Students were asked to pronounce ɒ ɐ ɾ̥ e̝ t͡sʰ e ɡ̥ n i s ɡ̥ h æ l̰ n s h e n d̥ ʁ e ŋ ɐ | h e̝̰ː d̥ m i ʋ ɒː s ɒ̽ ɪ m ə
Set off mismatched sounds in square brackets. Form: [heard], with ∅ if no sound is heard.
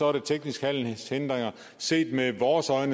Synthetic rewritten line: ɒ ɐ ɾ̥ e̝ t͡sʰ e ɡ̥ n i s ɡ̥ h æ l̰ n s h e n d̥ ʁ e ŋ ɐ | [s] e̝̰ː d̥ m [e] ʋ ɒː s ɒ̽ ɪ [n] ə